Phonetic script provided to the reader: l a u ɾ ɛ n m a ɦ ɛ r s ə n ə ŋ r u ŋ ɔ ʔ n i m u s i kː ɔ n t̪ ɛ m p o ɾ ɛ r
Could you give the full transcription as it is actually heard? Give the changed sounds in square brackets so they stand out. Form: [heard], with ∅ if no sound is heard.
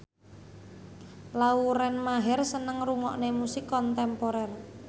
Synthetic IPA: l a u ɾ ɛ n m a ɦ ɛ r s ə n ə ŋ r u ŋ ɔ ʔ n [e] m u s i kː ɔ n t̪ ɛ m p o ɾ ɛ r

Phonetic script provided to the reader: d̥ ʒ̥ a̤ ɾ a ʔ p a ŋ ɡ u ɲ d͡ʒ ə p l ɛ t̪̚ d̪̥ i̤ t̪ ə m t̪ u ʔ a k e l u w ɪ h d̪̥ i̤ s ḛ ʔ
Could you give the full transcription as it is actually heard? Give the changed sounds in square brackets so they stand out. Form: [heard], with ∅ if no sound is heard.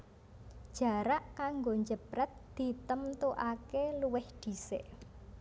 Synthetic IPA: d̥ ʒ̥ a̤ ɾ a ʔ [k] a ŋ ɡ [o] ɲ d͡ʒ ə p [ɾ] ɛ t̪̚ d̪̥ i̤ t̪ ə m t̪ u ʔ a k e l u w ɪ h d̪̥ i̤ s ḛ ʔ

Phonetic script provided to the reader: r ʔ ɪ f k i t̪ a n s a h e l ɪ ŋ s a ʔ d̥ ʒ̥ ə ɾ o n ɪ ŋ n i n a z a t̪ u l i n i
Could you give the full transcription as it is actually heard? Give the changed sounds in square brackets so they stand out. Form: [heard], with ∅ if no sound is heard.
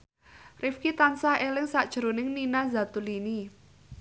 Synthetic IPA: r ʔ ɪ f k i t̪ a n s a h e l ɪ ŋ s a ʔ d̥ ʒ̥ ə ɾ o n ɪ ŋ n i n a z a t̪ u l i n i

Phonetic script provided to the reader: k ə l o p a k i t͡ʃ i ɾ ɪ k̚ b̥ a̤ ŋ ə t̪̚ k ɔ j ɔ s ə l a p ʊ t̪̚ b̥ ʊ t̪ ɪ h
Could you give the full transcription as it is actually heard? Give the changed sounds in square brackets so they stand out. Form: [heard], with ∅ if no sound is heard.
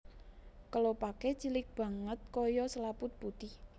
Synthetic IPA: k ə l o p a k [e] t͡ʃ i [l] ɪ k̚ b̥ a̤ ŋ ə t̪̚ k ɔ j ɔ s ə l a p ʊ t̪̚ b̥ [u] t̪ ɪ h

